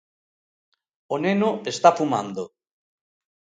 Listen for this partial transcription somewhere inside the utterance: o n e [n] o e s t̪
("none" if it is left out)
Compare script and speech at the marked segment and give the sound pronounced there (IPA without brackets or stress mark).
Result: n